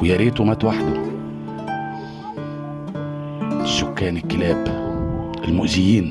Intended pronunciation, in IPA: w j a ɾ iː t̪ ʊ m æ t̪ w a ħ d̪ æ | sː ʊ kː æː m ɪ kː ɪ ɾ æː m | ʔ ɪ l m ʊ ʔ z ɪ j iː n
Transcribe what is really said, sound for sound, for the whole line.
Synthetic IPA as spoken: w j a ɾ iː t̪ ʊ m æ t̪ w a ħ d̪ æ | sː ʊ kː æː n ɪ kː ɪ l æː b | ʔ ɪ l m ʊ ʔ z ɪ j iː n